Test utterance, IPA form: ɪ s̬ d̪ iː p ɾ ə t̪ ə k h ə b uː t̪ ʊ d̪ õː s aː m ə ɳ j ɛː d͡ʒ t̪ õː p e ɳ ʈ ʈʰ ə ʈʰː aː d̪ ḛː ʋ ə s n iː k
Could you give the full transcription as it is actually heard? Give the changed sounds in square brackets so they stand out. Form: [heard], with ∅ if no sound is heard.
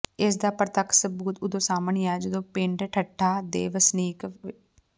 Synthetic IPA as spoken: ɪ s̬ d̪ [aː] p ɾ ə t̪ ə k [s] ə b uː t̪ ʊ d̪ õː s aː m ə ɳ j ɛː d͡ʒ [d̪] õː p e ɳ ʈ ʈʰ ə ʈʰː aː d̪ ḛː ʋ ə s n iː k

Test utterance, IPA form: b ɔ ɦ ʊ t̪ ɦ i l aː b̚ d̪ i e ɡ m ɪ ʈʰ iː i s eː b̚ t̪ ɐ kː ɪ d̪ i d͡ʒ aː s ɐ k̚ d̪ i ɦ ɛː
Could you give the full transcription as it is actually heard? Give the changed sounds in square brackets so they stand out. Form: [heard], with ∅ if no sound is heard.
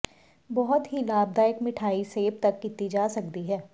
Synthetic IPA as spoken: b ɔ ɦ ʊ t̪ ɦ i l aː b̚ d̪ [a] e [k] m ɪ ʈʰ [aː] i s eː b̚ t̪ ɐ kː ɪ [t̪] i d͡ʒ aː s ɐ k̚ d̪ i ɦ ɛː

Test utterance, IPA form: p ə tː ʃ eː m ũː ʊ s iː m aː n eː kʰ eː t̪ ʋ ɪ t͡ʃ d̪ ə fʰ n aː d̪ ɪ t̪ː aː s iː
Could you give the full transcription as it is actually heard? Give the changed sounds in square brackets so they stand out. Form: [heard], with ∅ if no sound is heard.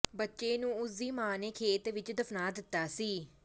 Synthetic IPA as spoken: [b] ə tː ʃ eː [n] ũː ʊ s iː m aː n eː kʰ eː t̪ ʋ ɪ t͡ʃ d̪ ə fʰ n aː d̪ ɪ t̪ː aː s iː

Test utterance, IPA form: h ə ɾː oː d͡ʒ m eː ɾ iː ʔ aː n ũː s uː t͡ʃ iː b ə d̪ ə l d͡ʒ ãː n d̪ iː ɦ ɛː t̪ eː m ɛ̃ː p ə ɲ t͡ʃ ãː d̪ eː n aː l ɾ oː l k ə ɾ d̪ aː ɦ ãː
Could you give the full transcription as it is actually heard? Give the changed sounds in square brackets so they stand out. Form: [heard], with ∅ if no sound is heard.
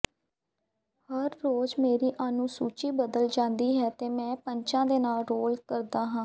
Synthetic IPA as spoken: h ə ɾː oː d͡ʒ m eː ɾ iː ʔ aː n ũː s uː t͡ʃ iː b ə d̪ ə l d͡ʒ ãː n d̪ iː ɦ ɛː t̪ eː m ɛ̃ː p ə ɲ t͡ʃ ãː d̪ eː n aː l ɾ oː l k ə ɾ d̪ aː ɦ ãː

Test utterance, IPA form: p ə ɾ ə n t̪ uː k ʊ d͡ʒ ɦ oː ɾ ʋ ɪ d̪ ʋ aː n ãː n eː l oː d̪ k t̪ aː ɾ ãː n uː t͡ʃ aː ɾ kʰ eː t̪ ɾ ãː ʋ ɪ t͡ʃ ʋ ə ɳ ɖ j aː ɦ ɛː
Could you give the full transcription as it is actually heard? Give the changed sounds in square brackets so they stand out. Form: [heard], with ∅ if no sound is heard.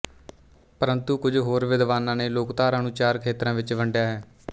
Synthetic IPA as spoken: p ə ɾ ə n t̪ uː k ʊ d͡ʒ ɦ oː ɾ ʋ ɪ d̪ ʋ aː n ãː n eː l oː [∅] k t̪ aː ɾ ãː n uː t͡ʃ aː ɾ kʰ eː t̪ ɾ ãː ʋ ɪ t͡ʃ ʋ ə ɳ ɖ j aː ɦ ɛː

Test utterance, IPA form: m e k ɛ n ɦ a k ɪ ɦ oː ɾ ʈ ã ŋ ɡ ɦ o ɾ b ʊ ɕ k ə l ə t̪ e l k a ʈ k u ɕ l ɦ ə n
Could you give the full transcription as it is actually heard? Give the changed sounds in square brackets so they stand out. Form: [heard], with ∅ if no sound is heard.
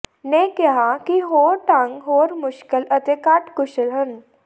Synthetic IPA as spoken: [n] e k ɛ [∅] ɦ a k [i] ɦ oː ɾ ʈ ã ŋ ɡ ɦ o ɾ [m] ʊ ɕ k ə l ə t̪ e [∅] k a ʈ k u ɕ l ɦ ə n

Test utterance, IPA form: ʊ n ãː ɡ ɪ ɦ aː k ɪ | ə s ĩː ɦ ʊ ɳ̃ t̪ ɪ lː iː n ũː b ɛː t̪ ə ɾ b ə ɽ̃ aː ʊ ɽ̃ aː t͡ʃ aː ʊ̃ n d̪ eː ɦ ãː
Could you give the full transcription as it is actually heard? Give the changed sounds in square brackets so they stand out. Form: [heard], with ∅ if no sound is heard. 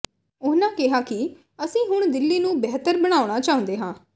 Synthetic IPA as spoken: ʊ n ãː [k] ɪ ɦ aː k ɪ | ə s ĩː ɦ ʊ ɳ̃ [d̪] ɪ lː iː n ũː b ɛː t̪ ə ɾ b ə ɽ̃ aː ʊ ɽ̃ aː t͡ʃ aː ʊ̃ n d̪ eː ɦ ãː

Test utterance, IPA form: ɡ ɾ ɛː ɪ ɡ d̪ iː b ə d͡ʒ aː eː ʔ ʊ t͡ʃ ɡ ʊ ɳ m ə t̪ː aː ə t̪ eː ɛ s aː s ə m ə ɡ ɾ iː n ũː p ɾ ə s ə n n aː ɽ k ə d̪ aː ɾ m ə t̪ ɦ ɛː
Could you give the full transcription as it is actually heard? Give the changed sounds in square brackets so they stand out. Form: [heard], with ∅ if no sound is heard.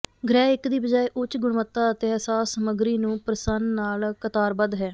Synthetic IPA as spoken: ɡ ɾ ɛː ɪ [k] d̪ iː b ə d͡ʒ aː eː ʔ ʊ t͡ʃ ɡ ʊ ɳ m ə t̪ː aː ə t̪ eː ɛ s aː s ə m ə ɡ ɾ iː n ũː p ɾ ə s ə n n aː [l] k ə [t̪] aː ɾ [b] ə [d̪] ɦ ɛː

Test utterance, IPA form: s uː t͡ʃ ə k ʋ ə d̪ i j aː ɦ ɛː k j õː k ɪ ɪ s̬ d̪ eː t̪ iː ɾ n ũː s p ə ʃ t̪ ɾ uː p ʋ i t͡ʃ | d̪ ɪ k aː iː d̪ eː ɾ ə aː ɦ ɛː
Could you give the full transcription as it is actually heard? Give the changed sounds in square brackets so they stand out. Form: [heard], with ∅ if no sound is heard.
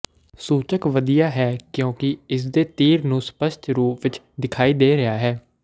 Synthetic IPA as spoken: s uː t͡ʃ ə k ʋ ə d̪ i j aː ɦ ɛː k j õː k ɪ ɪ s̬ d̪ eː t̪ iː ɾ n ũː s p ə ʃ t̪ ɾ uː p ʋ [ɪ] t͡ʃ | d̪ ɪ [kʰ] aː iː d̪ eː ɾ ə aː ɦ ɛː

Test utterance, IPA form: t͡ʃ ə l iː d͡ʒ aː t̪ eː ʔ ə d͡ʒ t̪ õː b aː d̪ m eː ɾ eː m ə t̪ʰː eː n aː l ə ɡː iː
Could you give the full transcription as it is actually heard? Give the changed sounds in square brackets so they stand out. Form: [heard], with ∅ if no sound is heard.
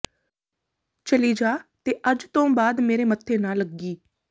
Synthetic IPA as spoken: t͡ʃ ə l iː d͡ʒ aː t̪ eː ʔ ə d͡ʒ t̪ õː b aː d̪ m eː ɾ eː m ə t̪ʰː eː n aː l ə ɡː iː

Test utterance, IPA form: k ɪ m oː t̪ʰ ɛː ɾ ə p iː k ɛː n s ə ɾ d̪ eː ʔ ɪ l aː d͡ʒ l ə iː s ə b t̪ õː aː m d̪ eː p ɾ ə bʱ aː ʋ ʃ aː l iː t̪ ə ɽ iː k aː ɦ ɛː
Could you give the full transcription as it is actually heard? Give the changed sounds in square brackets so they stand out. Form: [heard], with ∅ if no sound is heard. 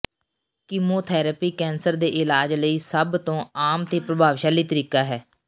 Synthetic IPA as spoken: k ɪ m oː t̪ʰ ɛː ɾ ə p iː k ɛː n s ə ɾ d̪ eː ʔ ɪ l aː d͡ʒ l ə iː s ə b t̪ õː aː m [t̪] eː p ɾ ə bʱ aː ʋ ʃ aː l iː t̪ ə [ɾ] iː k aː ɦ ɛː

